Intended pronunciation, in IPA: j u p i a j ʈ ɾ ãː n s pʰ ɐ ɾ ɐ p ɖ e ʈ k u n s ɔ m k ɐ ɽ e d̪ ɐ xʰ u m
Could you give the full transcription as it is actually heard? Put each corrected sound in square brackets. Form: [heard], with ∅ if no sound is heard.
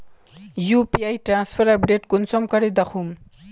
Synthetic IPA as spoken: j u p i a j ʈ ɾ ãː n s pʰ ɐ ɾ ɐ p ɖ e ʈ k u n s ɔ m k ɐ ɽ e d̪ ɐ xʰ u m